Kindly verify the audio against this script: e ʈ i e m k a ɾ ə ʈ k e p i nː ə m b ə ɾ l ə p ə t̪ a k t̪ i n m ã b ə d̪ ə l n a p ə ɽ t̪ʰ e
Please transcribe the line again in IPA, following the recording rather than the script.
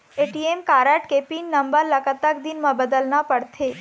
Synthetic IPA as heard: e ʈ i e m k a ɾ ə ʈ k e p i nː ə m b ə ɾ l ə k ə t̪ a k d̪ i n m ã b ə d̪ ə l n a p ə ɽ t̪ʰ e